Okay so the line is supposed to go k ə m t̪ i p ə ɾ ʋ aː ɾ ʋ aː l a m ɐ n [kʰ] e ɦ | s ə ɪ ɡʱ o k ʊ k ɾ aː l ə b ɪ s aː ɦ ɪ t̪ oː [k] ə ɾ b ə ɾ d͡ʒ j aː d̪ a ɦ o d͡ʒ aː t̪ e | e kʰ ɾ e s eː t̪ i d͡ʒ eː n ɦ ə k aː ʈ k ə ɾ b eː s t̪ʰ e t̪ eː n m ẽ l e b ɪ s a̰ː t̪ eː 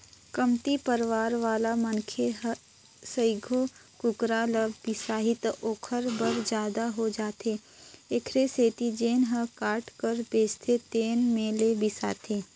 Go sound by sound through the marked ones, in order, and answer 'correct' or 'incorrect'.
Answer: correct, incorrect: kʰ

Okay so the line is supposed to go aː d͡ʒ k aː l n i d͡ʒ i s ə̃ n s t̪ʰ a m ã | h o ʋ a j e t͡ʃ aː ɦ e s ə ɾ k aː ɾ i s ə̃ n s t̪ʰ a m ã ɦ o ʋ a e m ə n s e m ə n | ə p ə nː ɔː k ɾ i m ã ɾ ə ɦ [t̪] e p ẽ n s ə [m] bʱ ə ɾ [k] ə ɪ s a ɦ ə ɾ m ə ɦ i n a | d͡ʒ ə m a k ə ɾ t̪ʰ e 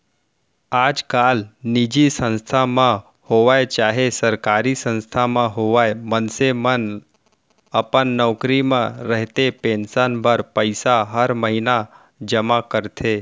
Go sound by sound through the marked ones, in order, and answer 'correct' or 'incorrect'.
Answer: correct, incorrect: n, incorrect: p

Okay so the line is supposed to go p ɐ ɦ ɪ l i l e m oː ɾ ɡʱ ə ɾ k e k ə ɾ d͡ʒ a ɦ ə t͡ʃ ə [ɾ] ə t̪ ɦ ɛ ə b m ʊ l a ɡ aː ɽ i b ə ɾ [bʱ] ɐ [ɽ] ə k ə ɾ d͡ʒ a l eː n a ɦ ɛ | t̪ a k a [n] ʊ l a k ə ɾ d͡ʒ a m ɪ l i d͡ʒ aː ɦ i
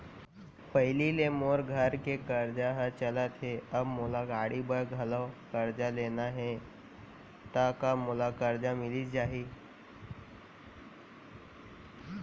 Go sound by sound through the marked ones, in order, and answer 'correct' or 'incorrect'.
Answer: incorrect: l, incorrect: ɡʱ, incorrect: l, incorrect: m

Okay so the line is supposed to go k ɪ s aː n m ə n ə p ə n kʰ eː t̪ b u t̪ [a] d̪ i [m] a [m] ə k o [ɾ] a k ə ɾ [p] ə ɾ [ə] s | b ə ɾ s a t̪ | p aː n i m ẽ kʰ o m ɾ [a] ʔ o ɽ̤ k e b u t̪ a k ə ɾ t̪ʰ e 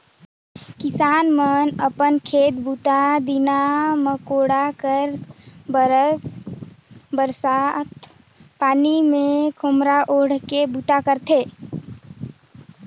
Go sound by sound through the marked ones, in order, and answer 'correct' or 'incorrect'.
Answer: correct, incorrect: n, correct, incorrect: ɽ, incorrect: b, correct, correct

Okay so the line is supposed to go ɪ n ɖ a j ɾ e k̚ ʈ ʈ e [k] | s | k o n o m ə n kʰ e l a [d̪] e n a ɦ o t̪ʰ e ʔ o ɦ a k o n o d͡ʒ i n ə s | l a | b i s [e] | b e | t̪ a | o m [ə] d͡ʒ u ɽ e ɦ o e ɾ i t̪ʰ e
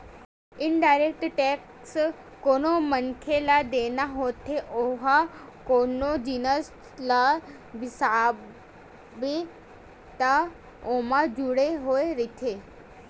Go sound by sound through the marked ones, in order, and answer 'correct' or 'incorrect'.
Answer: correct, correct, incorrect: a, incorrect: a

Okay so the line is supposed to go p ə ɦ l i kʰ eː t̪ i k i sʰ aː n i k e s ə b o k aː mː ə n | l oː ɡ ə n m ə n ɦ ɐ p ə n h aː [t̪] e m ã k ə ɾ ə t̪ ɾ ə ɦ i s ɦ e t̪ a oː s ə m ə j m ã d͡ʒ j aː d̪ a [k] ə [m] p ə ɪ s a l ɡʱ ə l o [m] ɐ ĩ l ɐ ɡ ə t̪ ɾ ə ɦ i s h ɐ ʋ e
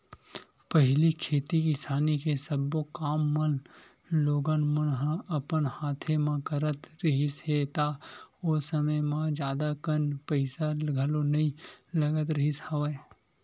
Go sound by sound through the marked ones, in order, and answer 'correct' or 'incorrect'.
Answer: incorrect: t̪ʰ, correct, incorrect: n, incorrect: n

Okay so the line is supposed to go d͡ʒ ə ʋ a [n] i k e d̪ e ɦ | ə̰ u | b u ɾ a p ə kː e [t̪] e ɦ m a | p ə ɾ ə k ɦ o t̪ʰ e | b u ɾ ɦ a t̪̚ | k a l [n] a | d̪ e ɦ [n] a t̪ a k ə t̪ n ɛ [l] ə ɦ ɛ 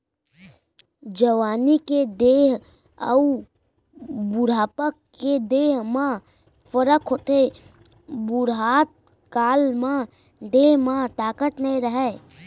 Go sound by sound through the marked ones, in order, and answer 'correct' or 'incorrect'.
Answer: correct, incorrect: d̪, incorrect: m, incorrect: m, incorrect: ɾ

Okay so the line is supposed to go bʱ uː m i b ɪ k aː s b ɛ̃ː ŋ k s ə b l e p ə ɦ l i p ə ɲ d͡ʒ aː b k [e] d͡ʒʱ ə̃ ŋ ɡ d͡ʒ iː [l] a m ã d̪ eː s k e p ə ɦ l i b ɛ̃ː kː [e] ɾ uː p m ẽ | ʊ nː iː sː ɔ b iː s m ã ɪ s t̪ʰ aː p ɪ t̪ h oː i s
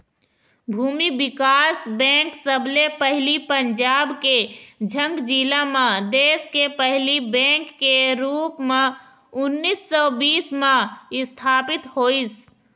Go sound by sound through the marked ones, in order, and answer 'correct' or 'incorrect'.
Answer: correct, correct, correct

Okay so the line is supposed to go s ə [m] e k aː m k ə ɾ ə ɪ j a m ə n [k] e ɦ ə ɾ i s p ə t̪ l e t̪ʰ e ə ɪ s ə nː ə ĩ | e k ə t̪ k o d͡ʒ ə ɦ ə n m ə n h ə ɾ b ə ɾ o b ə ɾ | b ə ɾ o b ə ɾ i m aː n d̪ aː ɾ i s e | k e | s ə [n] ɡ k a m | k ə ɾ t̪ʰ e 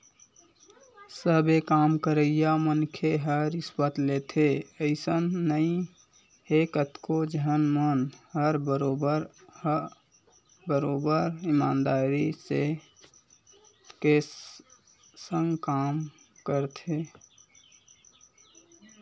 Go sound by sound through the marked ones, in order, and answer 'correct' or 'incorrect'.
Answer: incorrect: b, incorrect: kʰ, incorrect: ŋ

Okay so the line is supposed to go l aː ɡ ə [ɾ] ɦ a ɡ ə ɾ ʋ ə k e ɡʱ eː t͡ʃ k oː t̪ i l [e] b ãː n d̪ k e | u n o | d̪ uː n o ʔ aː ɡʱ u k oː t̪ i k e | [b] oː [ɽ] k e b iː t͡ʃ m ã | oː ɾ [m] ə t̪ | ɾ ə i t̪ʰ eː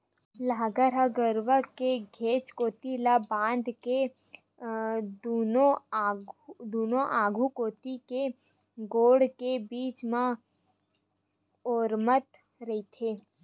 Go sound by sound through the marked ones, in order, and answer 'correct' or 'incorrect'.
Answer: correct, incorrect: a, incorrect: ɡ, correct, correct

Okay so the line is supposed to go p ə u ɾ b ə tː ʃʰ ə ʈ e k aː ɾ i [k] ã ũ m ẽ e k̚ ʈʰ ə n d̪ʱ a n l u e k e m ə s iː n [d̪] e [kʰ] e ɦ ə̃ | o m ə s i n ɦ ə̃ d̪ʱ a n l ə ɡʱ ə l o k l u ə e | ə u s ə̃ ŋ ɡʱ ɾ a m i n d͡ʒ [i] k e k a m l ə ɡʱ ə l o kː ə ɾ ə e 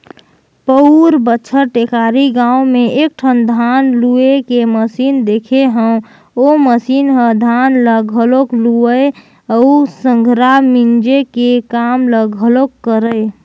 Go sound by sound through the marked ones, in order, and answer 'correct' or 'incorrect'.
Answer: incorrect: ɡ, correct, correct, incorrect: e

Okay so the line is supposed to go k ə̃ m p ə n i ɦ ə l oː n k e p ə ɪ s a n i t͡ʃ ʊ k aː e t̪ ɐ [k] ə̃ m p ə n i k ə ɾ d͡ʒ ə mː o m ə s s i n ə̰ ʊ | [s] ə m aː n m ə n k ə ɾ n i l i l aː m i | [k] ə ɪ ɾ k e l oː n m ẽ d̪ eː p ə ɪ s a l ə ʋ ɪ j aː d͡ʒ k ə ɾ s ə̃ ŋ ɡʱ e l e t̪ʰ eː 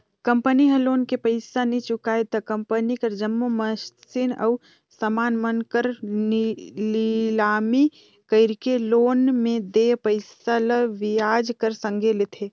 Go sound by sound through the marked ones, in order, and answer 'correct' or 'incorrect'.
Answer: correct, correct, correct

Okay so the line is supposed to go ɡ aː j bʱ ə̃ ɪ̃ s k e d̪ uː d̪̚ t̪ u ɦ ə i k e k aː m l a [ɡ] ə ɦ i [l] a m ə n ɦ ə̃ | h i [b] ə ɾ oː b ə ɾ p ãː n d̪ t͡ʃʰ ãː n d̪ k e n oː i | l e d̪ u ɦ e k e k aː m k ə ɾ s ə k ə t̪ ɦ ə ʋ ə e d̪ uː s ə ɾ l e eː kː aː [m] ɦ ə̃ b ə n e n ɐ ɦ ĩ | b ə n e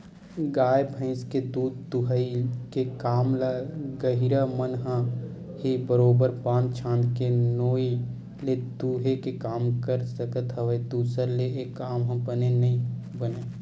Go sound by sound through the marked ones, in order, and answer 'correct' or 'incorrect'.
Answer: correct, incorrect: ɾ, correct, correct

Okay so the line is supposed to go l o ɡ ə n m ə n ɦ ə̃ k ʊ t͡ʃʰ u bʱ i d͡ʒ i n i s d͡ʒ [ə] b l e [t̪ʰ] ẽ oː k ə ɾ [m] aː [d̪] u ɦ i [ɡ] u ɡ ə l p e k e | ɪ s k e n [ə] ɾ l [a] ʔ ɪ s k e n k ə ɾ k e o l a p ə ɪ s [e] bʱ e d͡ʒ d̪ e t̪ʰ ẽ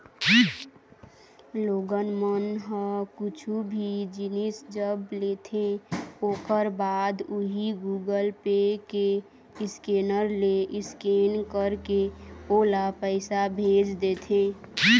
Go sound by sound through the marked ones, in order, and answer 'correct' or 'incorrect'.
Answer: correct, correct, incorrect: b, correct, correct, correct, incorrect: e, incorrect: a

